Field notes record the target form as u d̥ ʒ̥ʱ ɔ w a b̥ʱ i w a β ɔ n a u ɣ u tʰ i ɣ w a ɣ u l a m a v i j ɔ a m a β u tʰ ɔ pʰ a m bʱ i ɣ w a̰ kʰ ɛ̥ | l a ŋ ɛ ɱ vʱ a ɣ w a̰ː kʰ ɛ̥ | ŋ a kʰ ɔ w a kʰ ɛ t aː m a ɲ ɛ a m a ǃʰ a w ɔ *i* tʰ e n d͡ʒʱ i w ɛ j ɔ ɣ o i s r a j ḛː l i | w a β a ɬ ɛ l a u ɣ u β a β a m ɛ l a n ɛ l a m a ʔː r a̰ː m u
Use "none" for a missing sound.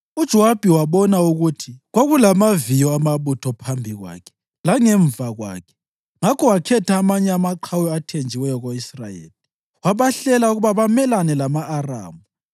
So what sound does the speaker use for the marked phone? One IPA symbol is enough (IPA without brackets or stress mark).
a